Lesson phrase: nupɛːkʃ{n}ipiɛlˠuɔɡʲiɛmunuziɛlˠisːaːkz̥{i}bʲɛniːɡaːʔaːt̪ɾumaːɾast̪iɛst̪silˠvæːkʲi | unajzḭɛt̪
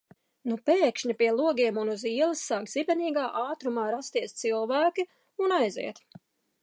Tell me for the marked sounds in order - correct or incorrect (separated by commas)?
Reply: incorrect, correct